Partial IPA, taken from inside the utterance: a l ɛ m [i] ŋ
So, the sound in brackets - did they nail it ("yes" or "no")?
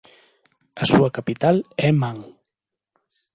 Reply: no